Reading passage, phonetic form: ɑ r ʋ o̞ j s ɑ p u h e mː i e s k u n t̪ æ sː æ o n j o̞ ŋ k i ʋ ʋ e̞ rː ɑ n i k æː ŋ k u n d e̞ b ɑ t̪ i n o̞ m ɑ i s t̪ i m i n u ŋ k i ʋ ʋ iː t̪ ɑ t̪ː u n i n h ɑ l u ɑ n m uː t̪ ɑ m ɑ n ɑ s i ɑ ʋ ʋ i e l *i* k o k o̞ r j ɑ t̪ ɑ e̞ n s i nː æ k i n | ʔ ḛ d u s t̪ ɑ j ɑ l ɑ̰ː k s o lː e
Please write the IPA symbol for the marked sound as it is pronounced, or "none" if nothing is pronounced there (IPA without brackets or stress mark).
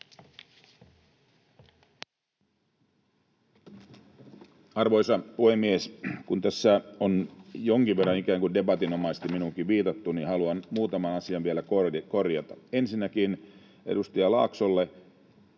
æ